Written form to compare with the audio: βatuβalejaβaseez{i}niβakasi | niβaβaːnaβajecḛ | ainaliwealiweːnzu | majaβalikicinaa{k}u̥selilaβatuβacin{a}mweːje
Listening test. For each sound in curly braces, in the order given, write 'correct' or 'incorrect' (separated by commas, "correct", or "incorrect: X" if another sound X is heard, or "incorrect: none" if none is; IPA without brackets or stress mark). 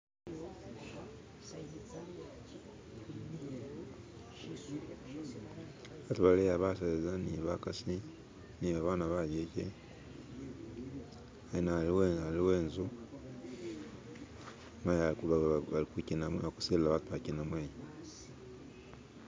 incorrect: a, correct, correct